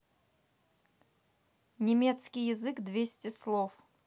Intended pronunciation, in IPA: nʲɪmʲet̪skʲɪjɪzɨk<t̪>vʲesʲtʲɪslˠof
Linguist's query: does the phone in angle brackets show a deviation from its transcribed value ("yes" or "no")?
yes